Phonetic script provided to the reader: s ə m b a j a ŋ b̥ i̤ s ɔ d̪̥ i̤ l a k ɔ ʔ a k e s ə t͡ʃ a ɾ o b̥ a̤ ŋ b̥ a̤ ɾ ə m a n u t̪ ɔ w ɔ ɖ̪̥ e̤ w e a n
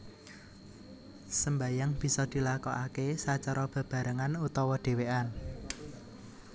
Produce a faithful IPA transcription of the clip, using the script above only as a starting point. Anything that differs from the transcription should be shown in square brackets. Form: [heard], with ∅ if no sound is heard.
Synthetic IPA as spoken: s ə m b a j a ŋ b̥ i̤ s ɔ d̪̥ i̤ l a k ɔ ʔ a k e s [a] t͡ʃ a ɾ [ɔ] b̥ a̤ [∅] b̥ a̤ ɾ ə [ŋ] a n u t̪ ɔ w ɔ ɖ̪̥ e̤ w e a n